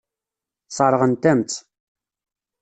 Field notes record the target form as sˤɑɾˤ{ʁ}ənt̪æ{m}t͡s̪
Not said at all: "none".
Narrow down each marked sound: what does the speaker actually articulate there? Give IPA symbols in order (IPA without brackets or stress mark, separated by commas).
ʁ, m